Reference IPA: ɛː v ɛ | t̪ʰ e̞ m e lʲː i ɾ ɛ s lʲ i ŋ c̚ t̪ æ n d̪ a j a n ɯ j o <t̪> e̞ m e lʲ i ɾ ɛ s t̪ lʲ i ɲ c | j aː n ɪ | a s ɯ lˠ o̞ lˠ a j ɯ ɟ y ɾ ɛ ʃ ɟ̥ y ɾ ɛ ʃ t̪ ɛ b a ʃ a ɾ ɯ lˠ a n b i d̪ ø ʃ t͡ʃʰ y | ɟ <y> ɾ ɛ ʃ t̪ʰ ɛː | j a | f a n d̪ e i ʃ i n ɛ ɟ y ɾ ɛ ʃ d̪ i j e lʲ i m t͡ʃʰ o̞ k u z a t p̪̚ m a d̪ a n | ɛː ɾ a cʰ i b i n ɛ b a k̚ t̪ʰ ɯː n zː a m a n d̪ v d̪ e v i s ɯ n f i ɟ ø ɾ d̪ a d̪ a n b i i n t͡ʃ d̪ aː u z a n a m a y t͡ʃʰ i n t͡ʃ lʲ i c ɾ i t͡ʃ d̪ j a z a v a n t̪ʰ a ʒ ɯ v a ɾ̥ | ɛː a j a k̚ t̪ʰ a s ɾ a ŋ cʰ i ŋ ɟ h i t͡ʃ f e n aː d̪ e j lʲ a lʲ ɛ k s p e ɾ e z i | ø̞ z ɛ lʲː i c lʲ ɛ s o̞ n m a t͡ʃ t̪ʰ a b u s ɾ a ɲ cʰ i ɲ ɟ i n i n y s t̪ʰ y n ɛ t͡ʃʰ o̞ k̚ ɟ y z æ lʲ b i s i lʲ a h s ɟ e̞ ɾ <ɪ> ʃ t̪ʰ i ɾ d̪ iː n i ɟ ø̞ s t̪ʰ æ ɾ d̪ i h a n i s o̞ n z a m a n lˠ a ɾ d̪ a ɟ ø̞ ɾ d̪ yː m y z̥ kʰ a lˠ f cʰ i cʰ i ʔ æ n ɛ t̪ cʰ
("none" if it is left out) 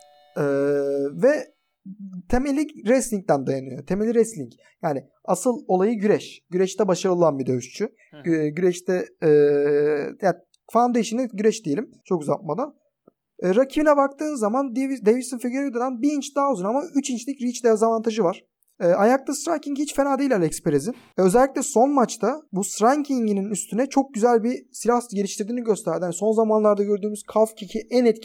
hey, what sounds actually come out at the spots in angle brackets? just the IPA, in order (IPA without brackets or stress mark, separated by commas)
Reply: t̪ʰ, y, i